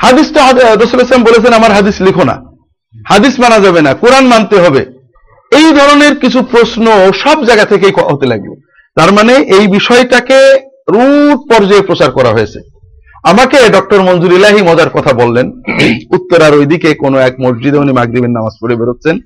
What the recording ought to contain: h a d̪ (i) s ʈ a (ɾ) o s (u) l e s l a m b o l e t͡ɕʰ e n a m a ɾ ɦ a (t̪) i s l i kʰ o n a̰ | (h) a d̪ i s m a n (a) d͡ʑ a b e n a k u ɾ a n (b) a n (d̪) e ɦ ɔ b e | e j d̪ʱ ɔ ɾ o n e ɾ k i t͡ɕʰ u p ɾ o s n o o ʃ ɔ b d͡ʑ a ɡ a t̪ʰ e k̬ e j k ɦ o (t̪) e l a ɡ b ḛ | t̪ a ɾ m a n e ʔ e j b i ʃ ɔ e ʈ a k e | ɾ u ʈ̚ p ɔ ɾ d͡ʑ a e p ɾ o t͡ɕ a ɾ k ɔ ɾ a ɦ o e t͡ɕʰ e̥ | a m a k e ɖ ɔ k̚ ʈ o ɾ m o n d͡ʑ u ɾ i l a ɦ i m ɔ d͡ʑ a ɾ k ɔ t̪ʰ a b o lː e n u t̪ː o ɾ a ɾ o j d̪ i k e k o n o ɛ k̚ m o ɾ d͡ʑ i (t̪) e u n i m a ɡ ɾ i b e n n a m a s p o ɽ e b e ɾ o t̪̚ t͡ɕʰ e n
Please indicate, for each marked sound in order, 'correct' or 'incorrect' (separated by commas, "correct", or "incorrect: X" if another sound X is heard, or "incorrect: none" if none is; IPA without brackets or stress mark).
correct, correct, correct, incorrect: d̪, correct, correct, incorrect: m, incorrect: t̪, correct, incorrect: d̪